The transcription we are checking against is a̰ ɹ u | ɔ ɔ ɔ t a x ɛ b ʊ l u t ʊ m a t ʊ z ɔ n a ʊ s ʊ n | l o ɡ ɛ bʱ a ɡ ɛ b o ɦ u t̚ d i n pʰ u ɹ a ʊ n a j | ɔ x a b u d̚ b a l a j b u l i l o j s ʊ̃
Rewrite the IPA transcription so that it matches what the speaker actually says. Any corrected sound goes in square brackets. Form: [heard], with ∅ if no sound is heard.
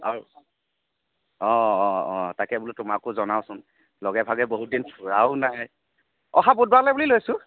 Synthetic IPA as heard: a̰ ɹ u | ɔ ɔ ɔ t a [k] ɛ b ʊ l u t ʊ m a [k] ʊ z ɔ n a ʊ s ʊ n | l [ɔ] ɡ ɛ bʱ a ɡ ɛ b o ɦ u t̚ d i n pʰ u ɹ a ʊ n a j | ɔ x a b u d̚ b a l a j b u l i l o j s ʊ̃